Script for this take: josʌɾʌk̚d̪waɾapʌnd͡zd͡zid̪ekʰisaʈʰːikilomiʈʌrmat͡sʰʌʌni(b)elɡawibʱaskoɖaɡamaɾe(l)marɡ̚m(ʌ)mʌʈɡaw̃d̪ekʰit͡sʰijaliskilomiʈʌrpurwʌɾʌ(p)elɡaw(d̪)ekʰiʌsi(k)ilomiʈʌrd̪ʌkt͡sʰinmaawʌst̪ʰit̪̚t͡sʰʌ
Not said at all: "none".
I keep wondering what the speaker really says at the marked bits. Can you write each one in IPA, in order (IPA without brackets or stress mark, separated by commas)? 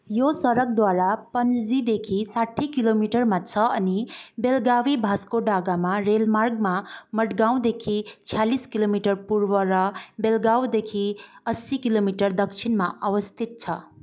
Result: b, l, a, b, d̪, k